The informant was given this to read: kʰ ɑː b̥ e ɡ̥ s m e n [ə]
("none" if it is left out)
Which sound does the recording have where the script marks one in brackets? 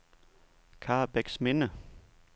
ə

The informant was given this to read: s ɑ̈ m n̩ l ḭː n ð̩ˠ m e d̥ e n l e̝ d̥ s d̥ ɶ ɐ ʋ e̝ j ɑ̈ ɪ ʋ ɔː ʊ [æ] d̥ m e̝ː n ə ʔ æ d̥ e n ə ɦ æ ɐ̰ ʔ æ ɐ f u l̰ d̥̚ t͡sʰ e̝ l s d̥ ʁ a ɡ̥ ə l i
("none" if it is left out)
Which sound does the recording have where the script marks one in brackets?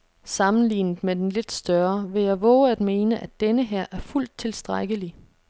æ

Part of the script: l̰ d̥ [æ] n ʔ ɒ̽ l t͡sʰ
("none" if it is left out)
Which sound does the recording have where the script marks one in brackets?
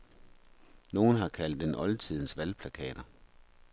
e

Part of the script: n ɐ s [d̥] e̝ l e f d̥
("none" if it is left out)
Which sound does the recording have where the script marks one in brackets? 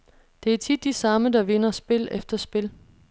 b̥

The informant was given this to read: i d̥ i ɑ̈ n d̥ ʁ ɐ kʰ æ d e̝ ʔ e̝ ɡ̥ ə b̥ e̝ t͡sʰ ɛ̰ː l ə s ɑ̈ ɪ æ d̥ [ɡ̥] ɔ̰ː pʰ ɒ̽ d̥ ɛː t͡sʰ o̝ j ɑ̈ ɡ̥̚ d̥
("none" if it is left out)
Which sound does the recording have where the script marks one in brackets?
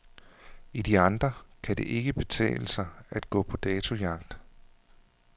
ɡ̥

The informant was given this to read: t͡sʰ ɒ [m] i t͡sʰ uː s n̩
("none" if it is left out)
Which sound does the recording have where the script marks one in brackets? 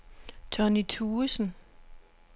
n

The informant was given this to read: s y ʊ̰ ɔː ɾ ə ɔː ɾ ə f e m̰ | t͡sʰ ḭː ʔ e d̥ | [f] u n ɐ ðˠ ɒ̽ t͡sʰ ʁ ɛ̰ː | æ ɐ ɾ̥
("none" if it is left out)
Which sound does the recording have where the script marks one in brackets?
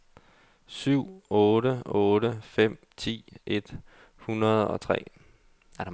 h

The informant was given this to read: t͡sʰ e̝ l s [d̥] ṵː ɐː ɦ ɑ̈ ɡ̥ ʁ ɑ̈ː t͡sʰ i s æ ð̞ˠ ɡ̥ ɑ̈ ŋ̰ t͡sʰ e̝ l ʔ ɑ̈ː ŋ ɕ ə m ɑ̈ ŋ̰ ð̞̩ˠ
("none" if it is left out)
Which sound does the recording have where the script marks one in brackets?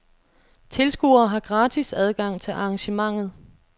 ɡ̥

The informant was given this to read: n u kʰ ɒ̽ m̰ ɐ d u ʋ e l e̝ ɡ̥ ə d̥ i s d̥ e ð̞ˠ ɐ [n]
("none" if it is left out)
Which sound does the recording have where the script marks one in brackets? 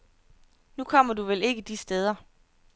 none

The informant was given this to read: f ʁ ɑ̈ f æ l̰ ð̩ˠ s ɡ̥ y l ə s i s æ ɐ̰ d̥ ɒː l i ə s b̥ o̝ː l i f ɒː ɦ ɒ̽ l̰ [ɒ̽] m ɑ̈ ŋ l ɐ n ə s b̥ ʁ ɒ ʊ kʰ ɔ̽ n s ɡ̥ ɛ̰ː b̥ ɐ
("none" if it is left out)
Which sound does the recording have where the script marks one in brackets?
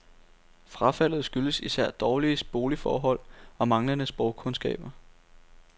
ɒ̽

